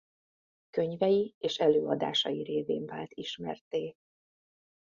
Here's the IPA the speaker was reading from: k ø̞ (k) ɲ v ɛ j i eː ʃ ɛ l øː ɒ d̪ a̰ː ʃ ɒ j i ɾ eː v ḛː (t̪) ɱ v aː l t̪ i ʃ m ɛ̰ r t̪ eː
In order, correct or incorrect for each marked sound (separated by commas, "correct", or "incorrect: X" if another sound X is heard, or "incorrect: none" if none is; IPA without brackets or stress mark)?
incorrect: none, incorrect: none